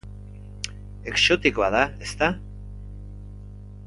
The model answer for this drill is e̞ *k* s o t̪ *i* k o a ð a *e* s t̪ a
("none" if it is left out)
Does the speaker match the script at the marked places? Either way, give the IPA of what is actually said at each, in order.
k, i, e

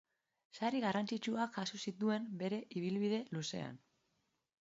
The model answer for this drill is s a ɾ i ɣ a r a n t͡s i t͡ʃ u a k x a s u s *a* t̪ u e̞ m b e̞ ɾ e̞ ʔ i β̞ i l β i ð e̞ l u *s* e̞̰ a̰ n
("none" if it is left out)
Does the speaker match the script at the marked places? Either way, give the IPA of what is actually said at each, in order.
i, s

